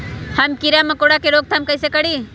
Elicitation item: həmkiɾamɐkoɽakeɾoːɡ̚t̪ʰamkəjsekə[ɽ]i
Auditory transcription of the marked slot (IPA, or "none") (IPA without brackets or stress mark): ɽ